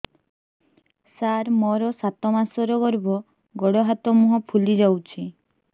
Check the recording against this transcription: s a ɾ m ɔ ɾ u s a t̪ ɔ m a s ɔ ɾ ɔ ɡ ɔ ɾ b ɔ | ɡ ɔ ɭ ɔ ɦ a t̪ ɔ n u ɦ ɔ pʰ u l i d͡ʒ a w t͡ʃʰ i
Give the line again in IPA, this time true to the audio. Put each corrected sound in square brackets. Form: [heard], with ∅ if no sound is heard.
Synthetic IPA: s a ɾ m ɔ ɾ [ɔ] s a t̪ ɔ m a s ɔ ɾ ɔ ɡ ɔ ɾ b ɔ | ɡ ɔ [ɽ] ɔ ɦ a t̪ ɔ [m] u ɦ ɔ pʰ u l i d͡ʒ a w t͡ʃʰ i